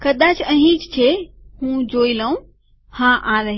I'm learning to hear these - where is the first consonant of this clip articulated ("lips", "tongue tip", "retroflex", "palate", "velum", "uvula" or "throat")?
velum